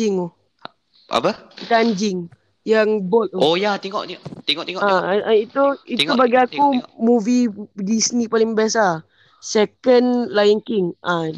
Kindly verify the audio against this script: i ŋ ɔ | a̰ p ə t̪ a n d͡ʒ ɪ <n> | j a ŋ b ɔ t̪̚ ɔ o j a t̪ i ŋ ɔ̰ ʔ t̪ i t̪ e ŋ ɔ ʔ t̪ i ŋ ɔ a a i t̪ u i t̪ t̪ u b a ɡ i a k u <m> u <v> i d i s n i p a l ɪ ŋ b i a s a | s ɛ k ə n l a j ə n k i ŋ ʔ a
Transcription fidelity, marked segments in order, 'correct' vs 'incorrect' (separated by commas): incorrect, correct, correct